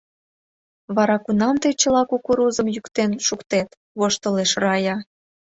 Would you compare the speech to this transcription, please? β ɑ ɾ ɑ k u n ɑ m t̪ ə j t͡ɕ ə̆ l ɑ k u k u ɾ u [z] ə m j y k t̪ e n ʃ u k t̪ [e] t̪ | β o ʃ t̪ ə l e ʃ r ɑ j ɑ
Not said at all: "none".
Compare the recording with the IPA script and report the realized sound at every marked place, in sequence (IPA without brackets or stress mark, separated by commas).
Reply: z, e